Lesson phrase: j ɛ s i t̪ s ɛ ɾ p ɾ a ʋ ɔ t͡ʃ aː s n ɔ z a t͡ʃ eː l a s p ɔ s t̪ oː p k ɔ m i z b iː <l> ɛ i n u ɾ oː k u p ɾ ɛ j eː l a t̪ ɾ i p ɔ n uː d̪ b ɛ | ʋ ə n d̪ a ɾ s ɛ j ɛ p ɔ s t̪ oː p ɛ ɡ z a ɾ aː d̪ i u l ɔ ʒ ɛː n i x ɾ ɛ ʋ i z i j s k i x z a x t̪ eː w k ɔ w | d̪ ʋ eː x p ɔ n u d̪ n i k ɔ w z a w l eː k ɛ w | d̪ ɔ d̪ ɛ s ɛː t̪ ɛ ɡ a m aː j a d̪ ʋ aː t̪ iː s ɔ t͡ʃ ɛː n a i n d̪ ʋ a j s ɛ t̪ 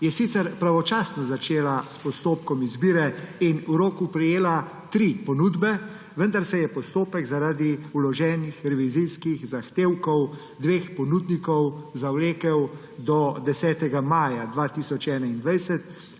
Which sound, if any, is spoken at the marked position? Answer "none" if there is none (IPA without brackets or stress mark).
ɾ